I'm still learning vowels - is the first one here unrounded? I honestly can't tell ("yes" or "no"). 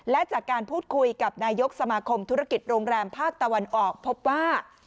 yes